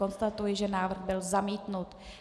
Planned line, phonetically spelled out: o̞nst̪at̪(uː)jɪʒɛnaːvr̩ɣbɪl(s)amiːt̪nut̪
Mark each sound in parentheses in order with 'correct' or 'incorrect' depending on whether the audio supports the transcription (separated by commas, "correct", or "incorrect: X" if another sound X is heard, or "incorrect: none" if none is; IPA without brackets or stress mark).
incorrect: u, incorrect: z